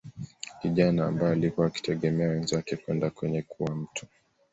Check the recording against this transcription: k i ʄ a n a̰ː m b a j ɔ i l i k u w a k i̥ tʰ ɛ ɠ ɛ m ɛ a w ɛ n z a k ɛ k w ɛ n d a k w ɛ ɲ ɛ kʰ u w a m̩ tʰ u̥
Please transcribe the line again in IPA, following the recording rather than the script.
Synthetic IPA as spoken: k i ʄ a n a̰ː m b a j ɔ a l i k u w a k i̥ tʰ ɛ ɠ ɛ m ɛ a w ɛ n z a k ɛ k w ɛ n d a k w ɛ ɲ ɛ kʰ u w a m̩ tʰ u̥